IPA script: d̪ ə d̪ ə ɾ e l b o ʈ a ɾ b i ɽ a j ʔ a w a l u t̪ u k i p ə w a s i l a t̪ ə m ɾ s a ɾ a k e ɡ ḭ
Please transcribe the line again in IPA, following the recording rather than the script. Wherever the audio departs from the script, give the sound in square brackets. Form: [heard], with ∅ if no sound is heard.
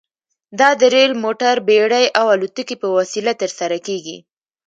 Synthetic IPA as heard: d̪ [ɑ] d̪ ə ɾ e l [m] o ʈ a ɾ b [e] ɽ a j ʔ a w a l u t̪ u k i p ə w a s i l a t̪ ə [∅] ɾ s a ɾ a k e ɡ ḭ